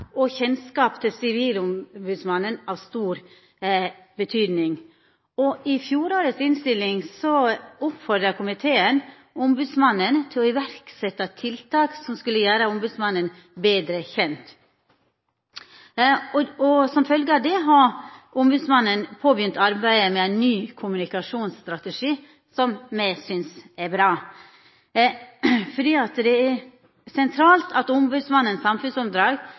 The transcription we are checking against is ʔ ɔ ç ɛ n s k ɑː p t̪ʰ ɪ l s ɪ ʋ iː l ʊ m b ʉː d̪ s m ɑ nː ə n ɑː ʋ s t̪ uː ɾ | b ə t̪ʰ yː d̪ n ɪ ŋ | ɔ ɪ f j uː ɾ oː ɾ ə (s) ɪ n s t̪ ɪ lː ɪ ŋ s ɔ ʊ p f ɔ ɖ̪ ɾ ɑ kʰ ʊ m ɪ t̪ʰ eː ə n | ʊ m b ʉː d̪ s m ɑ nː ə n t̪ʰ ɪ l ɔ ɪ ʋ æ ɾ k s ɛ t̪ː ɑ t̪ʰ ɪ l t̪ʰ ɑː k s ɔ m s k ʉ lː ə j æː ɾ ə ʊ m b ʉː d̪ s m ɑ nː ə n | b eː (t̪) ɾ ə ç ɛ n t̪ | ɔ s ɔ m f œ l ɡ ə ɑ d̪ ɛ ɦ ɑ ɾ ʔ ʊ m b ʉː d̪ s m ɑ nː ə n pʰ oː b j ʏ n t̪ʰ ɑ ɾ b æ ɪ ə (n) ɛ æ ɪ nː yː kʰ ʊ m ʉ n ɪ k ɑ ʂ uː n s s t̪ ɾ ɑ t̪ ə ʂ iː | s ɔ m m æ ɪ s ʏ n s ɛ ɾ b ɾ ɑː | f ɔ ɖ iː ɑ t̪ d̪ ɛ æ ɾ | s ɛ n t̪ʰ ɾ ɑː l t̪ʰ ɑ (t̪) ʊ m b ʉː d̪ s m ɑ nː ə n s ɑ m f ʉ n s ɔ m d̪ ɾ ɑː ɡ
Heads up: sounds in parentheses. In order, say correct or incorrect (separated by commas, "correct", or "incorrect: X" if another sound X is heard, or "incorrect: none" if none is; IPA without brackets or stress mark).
correct, incorrect: d̪, incorrect: m, correct